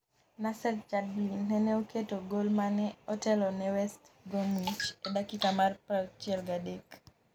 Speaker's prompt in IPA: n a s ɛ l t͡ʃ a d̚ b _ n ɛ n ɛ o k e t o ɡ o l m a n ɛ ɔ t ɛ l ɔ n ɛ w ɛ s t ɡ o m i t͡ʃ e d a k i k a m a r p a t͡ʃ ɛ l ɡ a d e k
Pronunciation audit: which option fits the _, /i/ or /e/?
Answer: i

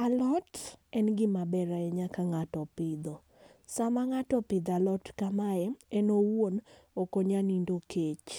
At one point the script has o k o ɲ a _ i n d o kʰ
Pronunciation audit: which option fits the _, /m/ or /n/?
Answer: n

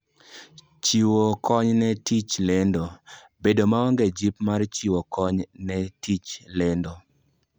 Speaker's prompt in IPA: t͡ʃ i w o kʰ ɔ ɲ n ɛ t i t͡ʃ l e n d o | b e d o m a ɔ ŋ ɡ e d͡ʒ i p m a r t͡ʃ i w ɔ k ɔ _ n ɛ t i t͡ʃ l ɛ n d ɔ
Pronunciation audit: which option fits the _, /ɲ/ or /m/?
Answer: ɲ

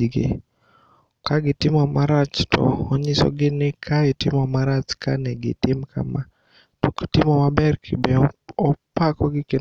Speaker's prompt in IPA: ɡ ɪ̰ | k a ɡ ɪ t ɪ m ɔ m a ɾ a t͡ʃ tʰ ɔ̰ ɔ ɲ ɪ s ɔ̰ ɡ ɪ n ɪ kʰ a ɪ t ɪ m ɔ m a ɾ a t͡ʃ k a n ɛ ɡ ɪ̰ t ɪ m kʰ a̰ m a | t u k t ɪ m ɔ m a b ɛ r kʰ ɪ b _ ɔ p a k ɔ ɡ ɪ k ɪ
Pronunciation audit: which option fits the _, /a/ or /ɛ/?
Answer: ɛ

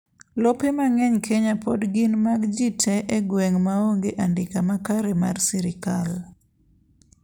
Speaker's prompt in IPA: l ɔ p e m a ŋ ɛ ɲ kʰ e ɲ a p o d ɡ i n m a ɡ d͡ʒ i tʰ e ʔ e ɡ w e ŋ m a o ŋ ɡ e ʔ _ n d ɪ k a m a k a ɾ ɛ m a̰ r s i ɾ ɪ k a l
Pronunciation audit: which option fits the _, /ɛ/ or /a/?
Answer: a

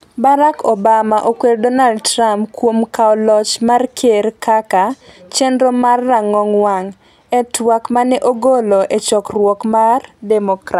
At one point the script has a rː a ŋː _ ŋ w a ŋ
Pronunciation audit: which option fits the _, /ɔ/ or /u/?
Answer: ɔ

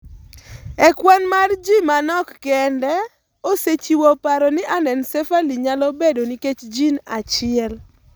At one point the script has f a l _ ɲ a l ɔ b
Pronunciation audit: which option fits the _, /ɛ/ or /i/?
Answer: i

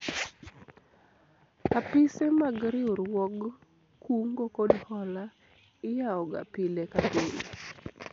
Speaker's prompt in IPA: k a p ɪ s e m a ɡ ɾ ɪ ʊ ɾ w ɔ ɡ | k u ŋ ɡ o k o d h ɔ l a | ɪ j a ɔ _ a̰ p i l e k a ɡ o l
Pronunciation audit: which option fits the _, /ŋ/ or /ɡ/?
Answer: ɡ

